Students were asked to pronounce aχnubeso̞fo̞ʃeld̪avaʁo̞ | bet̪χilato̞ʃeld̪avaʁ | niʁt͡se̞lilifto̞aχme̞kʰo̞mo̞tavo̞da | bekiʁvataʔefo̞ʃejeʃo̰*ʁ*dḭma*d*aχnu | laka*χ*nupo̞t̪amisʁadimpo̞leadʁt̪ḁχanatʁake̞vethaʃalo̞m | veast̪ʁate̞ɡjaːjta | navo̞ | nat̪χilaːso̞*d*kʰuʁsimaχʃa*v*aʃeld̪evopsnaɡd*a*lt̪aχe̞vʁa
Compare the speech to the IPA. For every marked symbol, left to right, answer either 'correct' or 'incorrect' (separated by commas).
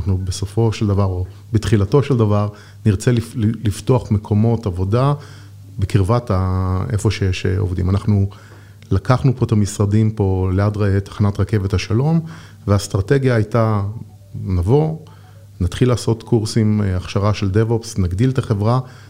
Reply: incorrect, incorrect, correct, incorrect, incorrect, incorrect